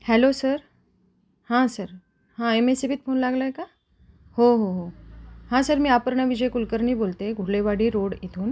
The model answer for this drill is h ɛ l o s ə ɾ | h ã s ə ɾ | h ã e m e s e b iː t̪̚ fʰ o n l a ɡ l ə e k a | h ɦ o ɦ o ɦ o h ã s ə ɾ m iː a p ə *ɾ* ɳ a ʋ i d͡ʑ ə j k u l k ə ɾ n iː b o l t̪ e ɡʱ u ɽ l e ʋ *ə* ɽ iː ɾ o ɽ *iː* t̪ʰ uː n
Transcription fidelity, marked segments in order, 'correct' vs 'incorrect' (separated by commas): correct, incorrect, incorrect